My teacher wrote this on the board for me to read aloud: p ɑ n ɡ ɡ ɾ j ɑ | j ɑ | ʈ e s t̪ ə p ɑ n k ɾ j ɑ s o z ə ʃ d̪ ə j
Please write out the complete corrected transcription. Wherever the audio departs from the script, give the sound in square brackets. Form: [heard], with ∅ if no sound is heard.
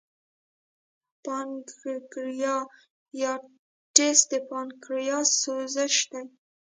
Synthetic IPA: p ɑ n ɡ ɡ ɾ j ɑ | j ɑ | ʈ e s [d̪] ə p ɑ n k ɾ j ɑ s o z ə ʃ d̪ [a] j